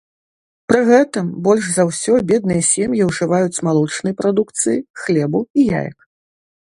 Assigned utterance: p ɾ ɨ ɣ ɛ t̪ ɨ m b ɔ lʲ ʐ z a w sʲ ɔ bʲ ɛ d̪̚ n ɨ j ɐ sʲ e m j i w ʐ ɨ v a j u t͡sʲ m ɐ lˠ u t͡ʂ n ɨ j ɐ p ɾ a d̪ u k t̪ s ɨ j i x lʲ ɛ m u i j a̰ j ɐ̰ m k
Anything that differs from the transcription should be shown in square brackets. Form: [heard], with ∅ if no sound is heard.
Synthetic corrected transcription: p ɾ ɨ ɣ ɛ t̪ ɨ m b ɔ lʲ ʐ z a w sʲ ɔ bʲ ɛ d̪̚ n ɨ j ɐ sʲ e m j i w ʐ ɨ v a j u t͡sʲ m [a] lˠ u t͡ʂ n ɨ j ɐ p ɾ a d̪ u k t̪ s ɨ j i x lʲ ɛ [b] u i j a̰ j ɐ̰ [∅] k

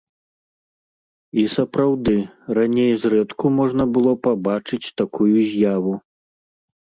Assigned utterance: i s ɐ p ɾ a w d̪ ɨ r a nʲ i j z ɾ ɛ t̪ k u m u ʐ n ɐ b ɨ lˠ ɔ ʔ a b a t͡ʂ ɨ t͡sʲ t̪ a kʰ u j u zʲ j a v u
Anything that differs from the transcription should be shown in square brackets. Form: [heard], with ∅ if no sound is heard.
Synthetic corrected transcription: i s ɐ p ɾ a w d̪ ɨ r a nʲ [e] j z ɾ ɛ t̪ k u m [ɔ] ʐ n ɐ b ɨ lˠ ɔ [p] a b a t͡ʂ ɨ t͡sʲ t̪ a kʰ u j u zʲ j a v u

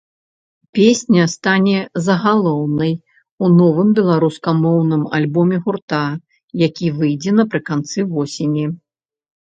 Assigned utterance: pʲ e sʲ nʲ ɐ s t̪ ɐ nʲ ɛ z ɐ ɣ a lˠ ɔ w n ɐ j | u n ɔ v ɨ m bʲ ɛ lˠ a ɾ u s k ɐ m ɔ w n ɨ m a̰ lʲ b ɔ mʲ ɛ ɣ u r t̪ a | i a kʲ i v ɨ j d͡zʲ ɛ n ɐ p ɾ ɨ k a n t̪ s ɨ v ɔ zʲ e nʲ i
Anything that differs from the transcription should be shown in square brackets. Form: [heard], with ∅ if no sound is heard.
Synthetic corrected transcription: pʲ e sʲ nʲ ɐ s t̪ [a] nʲ ɛ z ɐ ɣ a lˠ ɔ w n ɐ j | u n ɔ v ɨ m bʲ ɛ lˠ a ɾ u s k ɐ m ɔ w n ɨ m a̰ lʲ b ɔ mʲ ɛ ɣ u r t̪ a | [j] a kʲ i v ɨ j d͡zʲ ɛ n ɐ p ɾ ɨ k a n t̪ s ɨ v ɔ [sʲ] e nʲ i

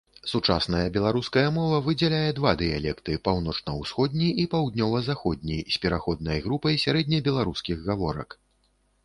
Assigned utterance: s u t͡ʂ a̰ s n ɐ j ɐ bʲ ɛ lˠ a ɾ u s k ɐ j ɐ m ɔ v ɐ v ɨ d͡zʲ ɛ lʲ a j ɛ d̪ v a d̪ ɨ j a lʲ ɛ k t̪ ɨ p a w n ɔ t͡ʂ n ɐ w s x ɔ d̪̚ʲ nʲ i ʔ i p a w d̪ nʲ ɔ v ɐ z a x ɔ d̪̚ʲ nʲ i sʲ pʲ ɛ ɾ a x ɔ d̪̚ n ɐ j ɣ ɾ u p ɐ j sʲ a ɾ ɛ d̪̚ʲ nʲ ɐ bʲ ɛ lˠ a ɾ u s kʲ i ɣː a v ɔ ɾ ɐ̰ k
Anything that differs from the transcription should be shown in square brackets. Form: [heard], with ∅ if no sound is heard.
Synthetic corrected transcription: s u t͡ʂ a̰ s n ɐ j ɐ bʲ ɛ lˠ a ɾ u s k ɐ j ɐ m ɔ v ɐ v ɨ d͡zʲ ɛ lʲ a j ɛ d̪ v a d̪ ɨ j a lʲ ɛ k t̪ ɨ p a w n ɔ t͡ʂ n ɐ w s x ɔ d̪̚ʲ nʲ i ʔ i p a w d̪ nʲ ɔ v ɐ z a x ɔ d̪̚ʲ nʲ i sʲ pʲ ɛ ɾ a x ɔ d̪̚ n ɐ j ɣ ɾ u p ɐ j sʲ a ɾ ɛ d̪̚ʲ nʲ ɐ bʲ ɛ lˠ a ɾ u s kʲ i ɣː a v ɔ ɾ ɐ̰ k

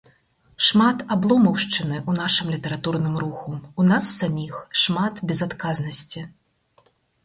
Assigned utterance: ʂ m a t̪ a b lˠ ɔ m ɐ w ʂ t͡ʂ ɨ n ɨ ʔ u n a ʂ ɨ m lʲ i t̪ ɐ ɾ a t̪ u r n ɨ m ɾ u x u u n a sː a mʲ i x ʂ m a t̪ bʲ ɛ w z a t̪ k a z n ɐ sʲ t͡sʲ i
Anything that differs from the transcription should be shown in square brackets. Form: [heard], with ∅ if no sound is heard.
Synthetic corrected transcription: ʂ m a t̪ a b lˠ ɔ m ɐ w ʂ t͡ʂ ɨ n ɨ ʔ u n a ʂ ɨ m lʲ i t̪ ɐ ɾ a t̪ u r n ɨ m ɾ u x u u n a sː a mʲ i x ʂ m a t̪ bʲ ɛ [∅] z a t̪ k a z n ɐ sʲ t͡sʲ i

